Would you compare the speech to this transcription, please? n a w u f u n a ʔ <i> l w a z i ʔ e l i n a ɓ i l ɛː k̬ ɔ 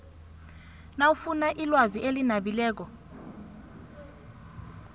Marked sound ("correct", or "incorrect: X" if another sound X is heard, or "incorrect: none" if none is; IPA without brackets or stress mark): correct